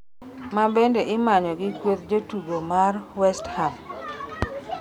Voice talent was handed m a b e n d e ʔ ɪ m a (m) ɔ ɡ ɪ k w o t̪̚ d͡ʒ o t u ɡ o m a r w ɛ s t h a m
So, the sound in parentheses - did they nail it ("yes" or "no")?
no